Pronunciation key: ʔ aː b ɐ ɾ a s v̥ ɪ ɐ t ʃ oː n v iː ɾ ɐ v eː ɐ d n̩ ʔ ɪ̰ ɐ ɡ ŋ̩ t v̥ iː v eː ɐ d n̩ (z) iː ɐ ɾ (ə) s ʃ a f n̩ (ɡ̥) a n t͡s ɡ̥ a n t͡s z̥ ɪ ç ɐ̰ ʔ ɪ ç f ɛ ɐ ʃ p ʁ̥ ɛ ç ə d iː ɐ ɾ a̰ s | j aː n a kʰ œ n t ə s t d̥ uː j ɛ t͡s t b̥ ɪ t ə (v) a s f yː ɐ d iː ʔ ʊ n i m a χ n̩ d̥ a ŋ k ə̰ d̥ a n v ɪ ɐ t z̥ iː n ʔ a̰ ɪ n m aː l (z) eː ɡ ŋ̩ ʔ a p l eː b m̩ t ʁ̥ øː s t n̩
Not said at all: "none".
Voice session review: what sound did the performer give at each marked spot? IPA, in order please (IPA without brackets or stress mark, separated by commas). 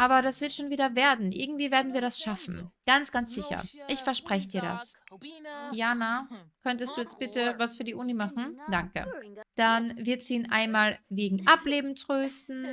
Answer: v, a, ɡ̥, v, v